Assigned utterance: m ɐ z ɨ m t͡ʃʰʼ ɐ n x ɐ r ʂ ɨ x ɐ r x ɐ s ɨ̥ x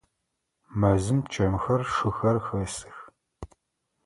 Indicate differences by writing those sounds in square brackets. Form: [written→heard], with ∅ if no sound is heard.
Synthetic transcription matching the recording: m ɐ z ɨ m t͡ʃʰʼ ɐ [n→m] x ɐ r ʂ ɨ x ɐ r x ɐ s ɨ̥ x